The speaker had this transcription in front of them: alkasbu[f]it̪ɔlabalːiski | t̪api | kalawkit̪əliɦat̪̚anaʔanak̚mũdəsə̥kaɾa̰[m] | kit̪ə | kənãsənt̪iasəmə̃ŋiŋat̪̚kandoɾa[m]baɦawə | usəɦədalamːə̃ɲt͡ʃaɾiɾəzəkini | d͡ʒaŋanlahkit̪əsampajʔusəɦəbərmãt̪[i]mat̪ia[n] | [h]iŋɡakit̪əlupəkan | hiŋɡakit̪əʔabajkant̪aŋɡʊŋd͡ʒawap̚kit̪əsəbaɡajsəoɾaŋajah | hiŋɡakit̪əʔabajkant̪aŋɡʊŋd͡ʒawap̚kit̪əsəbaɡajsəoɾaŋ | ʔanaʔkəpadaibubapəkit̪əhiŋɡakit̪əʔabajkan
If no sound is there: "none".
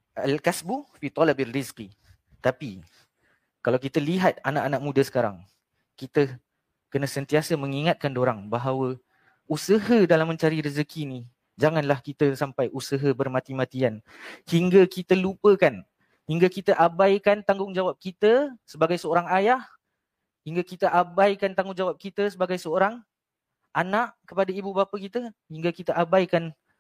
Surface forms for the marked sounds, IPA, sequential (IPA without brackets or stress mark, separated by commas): f, ŋ, ŋ, i, n, h